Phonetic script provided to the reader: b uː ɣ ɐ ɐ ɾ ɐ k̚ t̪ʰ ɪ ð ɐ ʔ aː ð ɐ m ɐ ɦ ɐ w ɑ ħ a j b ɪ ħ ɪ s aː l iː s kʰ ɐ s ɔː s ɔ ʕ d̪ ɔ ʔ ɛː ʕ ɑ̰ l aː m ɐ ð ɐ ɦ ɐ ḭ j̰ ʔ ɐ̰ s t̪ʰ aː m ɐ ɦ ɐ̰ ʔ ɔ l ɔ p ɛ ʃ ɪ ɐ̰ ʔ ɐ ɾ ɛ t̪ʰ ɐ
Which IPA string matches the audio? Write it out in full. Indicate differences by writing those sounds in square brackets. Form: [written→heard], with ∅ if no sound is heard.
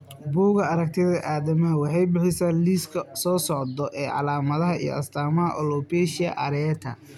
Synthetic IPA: b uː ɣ ɐ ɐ ɾ ɐ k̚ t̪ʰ ɪ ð ɐ ʔ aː ð ɐ m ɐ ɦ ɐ w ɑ ħ [a→ɑ] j b ɪ ħ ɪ s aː l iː s kʰ ɐ s ɔː s ɔ ʕ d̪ ɔ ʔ ɛː ʕ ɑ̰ l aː m ɐ ð ɐ ɦ ɐ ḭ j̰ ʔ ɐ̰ s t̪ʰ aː m ɐ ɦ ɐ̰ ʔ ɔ l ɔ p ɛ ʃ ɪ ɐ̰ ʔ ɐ ɾ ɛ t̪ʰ ɐ